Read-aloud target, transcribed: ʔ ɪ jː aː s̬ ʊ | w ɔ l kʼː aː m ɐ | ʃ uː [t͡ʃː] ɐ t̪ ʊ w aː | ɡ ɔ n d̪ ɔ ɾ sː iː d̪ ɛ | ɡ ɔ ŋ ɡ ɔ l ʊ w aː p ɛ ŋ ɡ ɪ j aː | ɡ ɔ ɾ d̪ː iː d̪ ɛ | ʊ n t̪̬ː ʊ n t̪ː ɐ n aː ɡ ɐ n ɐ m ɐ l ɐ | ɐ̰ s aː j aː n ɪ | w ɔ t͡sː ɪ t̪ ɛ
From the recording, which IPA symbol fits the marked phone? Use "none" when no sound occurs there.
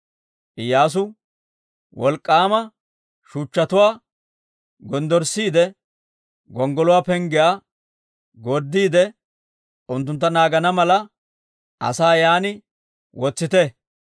t͡ʃː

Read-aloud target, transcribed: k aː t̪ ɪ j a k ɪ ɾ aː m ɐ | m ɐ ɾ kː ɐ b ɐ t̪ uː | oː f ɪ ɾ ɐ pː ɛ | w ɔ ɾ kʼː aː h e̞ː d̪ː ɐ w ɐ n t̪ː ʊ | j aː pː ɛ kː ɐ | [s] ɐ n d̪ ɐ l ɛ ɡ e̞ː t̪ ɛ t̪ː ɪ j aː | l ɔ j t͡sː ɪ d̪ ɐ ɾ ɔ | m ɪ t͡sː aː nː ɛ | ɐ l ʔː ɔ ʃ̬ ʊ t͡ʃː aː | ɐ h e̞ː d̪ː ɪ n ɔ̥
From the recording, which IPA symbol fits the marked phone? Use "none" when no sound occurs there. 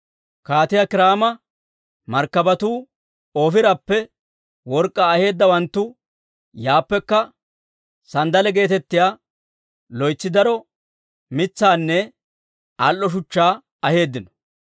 s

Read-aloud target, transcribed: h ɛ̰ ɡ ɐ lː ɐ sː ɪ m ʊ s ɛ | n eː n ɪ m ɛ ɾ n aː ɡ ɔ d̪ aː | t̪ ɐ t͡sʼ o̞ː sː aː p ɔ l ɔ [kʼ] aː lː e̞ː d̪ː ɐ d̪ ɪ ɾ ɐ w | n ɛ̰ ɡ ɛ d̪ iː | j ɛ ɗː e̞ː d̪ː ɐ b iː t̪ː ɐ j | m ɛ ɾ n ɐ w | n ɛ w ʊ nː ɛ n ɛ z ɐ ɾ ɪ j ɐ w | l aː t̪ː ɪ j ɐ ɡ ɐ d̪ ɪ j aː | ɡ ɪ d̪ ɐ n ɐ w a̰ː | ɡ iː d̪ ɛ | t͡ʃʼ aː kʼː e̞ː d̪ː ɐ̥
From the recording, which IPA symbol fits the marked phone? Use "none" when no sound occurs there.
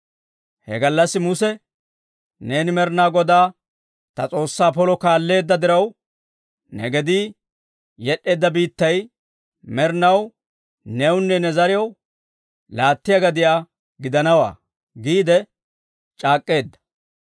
k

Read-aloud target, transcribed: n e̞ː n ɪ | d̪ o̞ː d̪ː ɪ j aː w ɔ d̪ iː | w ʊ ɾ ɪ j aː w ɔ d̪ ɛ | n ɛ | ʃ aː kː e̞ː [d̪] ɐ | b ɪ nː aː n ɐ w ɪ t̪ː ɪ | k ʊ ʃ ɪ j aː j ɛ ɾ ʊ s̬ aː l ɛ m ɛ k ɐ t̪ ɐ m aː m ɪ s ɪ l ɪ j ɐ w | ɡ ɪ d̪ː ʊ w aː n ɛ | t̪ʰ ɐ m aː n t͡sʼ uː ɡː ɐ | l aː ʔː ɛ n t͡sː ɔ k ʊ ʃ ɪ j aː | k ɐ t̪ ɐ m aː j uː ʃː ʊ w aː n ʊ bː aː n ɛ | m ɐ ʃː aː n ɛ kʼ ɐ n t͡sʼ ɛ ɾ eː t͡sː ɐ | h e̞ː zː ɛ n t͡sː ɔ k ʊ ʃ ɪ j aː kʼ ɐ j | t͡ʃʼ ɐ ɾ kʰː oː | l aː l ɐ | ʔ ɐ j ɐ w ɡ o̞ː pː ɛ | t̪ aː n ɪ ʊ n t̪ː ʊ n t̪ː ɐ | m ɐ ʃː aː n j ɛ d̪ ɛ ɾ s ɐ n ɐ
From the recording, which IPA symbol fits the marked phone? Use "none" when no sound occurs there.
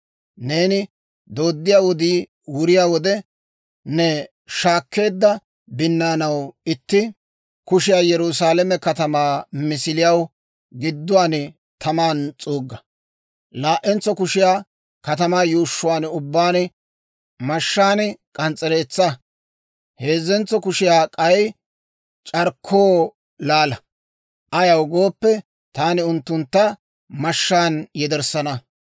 d̪ː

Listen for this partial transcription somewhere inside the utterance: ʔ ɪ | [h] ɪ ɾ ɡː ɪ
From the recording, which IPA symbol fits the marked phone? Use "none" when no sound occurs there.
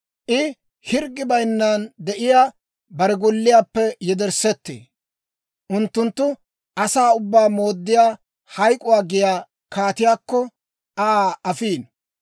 h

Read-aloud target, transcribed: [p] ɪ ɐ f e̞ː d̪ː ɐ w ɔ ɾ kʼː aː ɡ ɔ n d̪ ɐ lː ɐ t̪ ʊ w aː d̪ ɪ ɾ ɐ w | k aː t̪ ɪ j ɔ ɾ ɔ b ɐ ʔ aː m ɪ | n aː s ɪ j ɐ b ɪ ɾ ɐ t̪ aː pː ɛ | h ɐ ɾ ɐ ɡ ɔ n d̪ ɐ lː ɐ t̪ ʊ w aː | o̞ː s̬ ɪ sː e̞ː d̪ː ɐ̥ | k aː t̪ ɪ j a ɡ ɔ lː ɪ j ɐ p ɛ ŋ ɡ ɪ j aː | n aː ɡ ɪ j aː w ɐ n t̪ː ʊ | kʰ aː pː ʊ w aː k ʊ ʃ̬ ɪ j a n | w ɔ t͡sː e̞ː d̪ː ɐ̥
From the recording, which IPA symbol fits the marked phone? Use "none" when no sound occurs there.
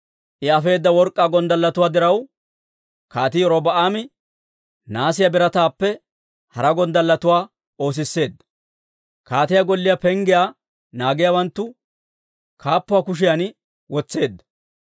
ʔ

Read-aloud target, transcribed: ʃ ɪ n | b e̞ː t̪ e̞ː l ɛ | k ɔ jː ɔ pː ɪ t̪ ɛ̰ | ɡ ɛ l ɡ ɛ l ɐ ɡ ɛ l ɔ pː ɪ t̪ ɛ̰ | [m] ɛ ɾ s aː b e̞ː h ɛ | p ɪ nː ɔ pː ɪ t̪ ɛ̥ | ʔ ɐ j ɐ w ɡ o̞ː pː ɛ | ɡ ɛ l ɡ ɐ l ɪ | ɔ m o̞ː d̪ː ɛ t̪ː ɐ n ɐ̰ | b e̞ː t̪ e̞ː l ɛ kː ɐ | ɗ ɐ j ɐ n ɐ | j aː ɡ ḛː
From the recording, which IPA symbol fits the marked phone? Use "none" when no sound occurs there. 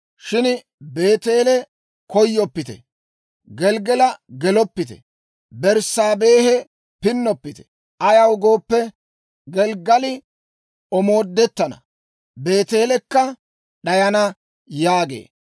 b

